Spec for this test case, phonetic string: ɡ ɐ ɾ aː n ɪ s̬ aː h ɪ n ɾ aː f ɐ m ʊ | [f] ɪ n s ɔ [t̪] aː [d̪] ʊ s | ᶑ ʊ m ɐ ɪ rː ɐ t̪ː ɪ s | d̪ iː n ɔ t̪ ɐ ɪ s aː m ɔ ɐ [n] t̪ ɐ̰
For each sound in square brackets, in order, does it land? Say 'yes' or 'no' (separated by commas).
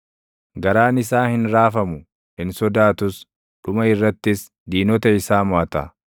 no, no, no, no